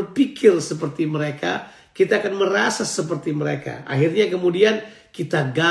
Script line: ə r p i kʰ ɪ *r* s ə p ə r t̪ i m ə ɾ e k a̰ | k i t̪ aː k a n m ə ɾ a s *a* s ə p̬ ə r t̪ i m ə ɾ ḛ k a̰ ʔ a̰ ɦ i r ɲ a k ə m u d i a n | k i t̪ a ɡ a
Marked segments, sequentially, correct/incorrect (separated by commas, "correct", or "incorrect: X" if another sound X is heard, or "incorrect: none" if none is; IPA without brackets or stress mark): correct, correct